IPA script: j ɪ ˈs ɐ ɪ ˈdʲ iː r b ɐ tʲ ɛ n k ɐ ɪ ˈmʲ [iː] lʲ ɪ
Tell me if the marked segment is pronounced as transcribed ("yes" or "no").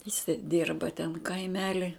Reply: no